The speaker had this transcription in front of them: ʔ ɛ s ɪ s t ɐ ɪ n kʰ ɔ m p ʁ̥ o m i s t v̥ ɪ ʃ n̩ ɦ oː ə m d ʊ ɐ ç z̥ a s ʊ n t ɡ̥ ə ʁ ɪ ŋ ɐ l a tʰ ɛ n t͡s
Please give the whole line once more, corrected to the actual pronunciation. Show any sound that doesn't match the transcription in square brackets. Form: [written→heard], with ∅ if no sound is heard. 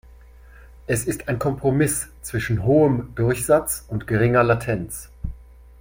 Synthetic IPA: ʔ ɛ s ɪ s t [ɐ→a] ɪ n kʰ ɔ m p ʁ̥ o m [i→ɪ] s [t→t͡s] v̥ ɪ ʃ n̩ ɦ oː ə m d ʊ ɐ ç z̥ a [s→t͡s] ʊ n t ɡ̥ ə ʁ ɪ ŋ ɐ l a tʰ ɛ n t͡s